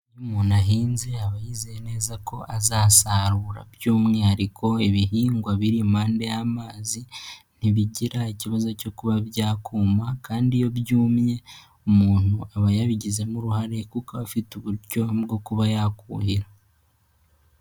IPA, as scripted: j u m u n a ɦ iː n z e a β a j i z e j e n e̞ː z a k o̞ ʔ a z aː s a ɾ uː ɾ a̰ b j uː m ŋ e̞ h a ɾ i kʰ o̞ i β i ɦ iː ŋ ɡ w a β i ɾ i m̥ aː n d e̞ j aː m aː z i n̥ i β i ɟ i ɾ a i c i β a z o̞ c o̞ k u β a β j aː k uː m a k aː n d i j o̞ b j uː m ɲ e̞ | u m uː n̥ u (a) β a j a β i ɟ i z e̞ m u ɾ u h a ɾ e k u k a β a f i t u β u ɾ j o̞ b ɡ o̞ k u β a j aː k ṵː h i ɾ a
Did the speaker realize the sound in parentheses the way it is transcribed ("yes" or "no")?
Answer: yes